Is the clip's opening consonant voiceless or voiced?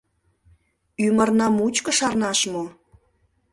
voiced